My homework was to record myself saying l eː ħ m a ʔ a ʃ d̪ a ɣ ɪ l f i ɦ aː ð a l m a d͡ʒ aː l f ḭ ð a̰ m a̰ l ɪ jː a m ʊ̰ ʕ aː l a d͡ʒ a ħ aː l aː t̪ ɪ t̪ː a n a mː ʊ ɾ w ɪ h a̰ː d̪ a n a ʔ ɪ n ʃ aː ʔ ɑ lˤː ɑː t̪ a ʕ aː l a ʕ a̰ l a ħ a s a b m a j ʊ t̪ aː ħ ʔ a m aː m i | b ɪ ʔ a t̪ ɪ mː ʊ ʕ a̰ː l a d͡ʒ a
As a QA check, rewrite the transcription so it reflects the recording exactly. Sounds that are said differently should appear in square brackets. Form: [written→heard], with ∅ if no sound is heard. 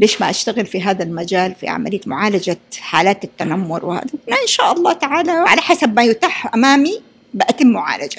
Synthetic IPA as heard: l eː [ħ→ʃ] m a ʔ a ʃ [d̪→t̪] a ɣ ɪ l f i ɦ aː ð a l m a d͡ʒ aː l f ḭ [ð→ʕ] a̰ m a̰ l ɪ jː a m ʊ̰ ʕ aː l a d͡ʒ a ħ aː l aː t̪ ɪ t̪ː a n a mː ʊ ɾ w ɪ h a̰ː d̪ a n a ʔ ɪ n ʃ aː ʔ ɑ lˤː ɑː t̪ a ʕ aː l a ʕ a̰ l a ħ a s a b m a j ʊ t̪ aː ħ ʔ a m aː m i | b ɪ ʔ a t̪ ɪ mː ʊ ʕ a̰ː l a d͡ʒ a